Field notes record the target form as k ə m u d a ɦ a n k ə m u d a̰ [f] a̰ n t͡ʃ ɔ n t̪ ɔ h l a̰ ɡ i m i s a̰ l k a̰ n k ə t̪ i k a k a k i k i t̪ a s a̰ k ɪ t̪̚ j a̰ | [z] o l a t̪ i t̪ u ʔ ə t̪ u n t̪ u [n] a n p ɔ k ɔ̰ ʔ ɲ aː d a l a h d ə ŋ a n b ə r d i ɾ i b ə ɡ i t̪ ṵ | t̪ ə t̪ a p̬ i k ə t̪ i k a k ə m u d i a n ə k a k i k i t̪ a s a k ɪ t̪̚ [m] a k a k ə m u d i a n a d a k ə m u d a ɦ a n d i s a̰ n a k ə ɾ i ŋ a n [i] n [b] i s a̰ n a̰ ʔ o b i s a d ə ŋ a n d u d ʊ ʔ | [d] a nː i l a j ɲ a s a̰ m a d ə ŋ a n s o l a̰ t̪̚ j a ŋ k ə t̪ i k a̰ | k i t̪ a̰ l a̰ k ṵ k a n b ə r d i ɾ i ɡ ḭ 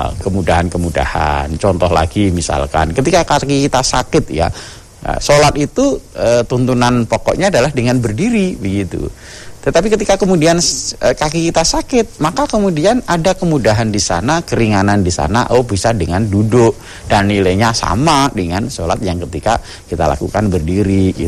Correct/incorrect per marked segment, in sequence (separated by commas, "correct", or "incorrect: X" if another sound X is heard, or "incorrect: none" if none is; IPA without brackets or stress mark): incorrect: h, incorrect: s, correct, correct, incorrect: a, incorrect: d, correct